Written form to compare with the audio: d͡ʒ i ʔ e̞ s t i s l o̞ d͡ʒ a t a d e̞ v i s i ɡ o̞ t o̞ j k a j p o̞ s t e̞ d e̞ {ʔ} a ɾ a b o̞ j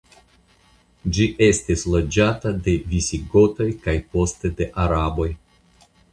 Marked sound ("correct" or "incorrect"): correct